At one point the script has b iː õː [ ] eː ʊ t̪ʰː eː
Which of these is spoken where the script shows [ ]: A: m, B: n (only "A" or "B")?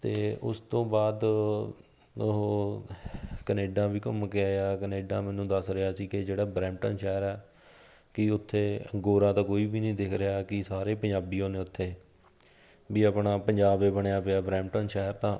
B